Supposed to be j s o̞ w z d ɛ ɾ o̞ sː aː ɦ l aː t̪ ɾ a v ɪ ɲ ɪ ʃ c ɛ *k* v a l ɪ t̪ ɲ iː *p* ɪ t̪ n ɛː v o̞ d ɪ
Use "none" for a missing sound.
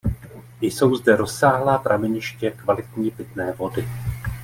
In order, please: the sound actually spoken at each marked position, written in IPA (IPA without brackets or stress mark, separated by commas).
k, p